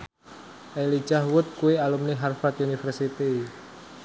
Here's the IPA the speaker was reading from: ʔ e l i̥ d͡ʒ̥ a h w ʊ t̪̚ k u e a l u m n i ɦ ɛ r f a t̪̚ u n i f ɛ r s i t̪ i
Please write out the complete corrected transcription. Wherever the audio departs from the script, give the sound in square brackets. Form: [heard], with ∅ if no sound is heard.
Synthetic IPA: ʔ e l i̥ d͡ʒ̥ a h w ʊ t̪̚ k u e a l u m n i ɦ [a] r f a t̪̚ u n i f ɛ r s i t̪ i